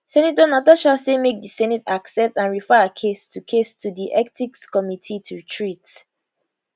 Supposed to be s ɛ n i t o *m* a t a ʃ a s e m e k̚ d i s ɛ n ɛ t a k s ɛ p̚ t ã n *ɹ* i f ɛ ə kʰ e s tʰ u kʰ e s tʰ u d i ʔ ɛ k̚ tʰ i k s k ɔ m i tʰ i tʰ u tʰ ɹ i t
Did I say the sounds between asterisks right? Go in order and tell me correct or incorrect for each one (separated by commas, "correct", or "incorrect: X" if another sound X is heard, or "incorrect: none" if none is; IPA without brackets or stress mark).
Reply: incorrect: n, correct